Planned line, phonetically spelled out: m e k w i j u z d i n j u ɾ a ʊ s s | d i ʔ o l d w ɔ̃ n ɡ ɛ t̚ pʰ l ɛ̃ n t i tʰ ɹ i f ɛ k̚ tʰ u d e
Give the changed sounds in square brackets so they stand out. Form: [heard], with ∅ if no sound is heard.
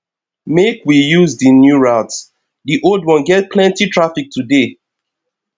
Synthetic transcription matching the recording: m e k w i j u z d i n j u [ɹ] a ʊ [t] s | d i ʔ o l d w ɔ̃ n ɡ ɛ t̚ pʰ l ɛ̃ n t i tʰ ɹ [a] f [i] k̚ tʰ u d e